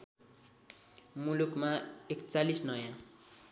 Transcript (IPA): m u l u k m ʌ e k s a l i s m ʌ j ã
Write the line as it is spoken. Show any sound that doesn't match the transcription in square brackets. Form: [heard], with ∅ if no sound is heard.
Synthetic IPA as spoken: m u l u k m [a] e k [t͡s] a l i s [n] ʌ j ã